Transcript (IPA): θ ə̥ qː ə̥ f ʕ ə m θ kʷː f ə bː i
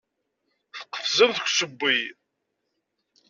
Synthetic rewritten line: θ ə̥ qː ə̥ f z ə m θ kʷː s ə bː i